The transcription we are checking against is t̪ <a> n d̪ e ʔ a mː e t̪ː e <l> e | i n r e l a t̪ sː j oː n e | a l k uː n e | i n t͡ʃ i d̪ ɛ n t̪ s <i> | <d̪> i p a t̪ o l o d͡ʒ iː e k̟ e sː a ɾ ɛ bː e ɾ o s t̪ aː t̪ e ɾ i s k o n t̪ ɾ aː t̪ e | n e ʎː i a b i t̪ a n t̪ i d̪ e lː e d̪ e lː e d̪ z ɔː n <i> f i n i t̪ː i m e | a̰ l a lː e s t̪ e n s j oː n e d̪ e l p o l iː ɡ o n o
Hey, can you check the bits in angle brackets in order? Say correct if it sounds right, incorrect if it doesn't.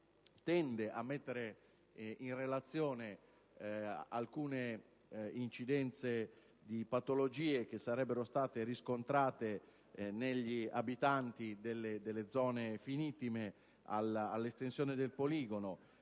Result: incorrect: ɛ, incorrect: ɾ, incorrect: e, correct, incorrect: e

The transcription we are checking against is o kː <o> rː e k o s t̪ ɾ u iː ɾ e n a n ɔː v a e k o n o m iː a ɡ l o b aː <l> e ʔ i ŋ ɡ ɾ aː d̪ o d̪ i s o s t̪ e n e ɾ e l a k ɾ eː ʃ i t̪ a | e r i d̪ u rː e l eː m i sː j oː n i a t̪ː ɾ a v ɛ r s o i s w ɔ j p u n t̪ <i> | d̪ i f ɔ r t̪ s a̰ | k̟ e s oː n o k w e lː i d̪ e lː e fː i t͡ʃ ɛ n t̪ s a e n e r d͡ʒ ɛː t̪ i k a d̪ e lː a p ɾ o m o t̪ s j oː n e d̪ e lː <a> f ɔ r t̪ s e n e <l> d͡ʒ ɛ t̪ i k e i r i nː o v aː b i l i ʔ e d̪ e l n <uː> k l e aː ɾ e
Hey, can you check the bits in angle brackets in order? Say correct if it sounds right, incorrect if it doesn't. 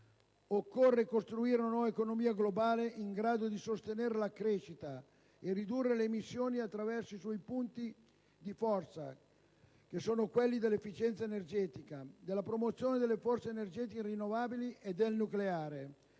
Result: correct, correct, correct, incorrect: e, incorrect: r, incorrect: u

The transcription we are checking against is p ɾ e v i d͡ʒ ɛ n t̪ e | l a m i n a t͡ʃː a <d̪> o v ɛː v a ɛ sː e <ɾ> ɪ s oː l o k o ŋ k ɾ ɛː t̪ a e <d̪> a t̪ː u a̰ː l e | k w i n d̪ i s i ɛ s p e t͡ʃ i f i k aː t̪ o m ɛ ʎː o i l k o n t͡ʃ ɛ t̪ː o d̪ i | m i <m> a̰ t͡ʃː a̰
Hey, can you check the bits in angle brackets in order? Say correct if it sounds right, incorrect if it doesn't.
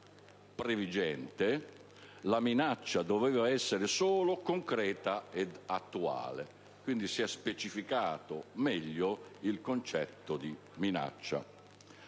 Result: correct, correct, correct, incorrect: n

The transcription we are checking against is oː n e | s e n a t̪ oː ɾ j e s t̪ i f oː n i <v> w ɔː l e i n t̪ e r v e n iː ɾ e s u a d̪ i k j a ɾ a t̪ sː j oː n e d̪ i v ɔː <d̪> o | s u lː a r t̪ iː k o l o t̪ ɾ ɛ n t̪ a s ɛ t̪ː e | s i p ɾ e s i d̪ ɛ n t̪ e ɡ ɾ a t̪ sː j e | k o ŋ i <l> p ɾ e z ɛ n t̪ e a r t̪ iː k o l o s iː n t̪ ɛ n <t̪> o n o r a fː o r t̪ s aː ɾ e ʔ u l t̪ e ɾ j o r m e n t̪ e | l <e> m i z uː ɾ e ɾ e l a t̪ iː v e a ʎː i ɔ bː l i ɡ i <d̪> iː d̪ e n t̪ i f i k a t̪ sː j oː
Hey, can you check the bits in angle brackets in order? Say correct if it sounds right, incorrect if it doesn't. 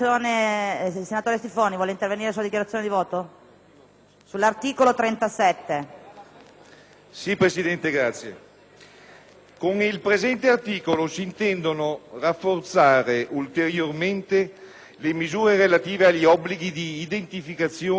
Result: correct, incorrect: t̪, correct, incorrect: d̪, correct, correct

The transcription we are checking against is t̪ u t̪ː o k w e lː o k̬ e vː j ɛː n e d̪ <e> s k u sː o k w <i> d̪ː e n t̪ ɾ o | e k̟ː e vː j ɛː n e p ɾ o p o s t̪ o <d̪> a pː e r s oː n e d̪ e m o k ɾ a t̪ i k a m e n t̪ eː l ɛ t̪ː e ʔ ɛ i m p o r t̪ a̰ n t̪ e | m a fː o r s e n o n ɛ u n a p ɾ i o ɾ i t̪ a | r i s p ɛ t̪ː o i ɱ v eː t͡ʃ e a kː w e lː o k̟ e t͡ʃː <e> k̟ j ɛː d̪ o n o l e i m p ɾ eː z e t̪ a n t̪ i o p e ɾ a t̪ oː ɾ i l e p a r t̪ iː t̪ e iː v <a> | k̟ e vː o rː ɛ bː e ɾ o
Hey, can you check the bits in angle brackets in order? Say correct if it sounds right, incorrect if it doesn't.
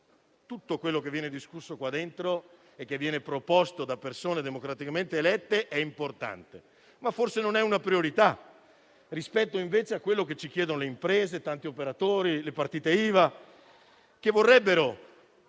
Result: incorrect: i, incorrect: a, correct, incorrect: i, correct

